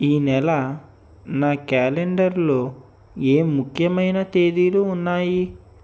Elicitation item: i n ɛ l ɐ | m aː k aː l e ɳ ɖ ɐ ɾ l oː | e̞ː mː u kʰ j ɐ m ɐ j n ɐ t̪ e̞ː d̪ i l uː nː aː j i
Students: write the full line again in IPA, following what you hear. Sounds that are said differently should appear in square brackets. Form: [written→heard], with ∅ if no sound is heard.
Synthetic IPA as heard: [i→iː] n ɛ l ɐ | [m→n] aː k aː l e ɳ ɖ ɐ ɾ l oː | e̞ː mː u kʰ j ɐ m ɐ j n ɐ t̪ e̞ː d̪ i l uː nː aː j i